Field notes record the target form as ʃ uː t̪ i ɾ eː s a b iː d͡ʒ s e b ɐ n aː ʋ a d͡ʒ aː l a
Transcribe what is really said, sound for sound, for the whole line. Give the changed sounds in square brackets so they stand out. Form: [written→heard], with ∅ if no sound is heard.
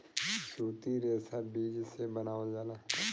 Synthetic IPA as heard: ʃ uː t̪ i ɾ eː s a b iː d͡ʒ s e b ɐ n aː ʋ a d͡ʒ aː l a

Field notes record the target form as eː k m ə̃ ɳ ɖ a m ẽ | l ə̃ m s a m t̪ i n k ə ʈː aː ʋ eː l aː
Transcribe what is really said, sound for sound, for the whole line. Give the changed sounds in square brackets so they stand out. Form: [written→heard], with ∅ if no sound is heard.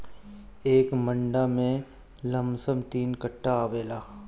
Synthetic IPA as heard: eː k m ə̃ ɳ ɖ a m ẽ | l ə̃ m s [a→ə] m t̪ [i→iː] n k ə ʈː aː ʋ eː l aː

